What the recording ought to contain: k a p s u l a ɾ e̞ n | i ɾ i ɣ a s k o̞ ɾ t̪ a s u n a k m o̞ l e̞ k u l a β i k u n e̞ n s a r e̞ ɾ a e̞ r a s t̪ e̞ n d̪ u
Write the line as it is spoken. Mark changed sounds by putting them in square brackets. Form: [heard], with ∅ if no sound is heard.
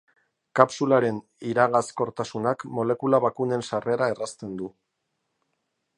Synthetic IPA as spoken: k a p s u l a ɾ e̞ n | i ɾ [a] ɣ a s k o̞ ɾ t̪ a s u n a k m o̞ l e̞ k u l a β [a] k u n e̞ n s a r e̞ ɾ a e̞ r a s t̪ e̞ n d̪ u